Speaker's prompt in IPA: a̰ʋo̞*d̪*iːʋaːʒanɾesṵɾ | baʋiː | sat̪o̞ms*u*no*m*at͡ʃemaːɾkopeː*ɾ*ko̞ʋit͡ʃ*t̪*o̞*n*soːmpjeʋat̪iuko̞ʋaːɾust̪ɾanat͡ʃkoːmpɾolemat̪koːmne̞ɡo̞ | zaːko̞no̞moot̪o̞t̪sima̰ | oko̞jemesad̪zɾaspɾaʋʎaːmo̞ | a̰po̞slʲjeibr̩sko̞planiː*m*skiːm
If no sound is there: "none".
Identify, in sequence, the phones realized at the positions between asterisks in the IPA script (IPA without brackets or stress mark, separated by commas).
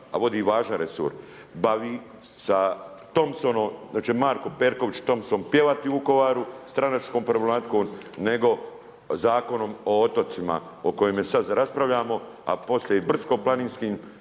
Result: d̪, o, m, ɾ, t̪, m, n